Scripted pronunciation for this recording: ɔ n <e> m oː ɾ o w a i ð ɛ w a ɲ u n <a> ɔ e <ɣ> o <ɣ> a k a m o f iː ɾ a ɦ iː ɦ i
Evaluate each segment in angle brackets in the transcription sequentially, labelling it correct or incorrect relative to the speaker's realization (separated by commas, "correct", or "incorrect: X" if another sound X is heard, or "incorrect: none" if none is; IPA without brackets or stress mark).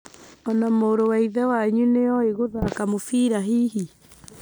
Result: incorrect: a, incorrect: e, correct, incorrect: ð